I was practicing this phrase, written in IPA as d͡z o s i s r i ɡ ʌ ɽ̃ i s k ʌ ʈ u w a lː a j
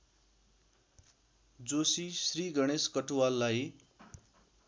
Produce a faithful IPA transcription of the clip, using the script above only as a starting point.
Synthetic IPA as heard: d͡z o s i s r i ɡ ʌ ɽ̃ e s k ʌ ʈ u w a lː a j